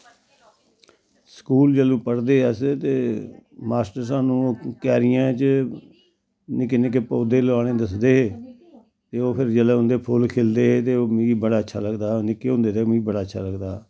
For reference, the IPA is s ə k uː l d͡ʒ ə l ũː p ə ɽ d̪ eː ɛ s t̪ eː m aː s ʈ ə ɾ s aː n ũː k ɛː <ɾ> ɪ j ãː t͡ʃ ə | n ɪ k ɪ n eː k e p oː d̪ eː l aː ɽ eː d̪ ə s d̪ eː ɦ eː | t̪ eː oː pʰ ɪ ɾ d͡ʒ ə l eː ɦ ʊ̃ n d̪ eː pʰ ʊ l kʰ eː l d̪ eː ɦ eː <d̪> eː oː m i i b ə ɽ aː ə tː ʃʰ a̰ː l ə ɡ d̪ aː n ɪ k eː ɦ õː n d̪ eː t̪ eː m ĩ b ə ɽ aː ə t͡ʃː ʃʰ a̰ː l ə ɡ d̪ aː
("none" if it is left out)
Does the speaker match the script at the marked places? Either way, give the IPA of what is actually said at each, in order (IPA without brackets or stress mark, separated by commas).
ɾ, t̪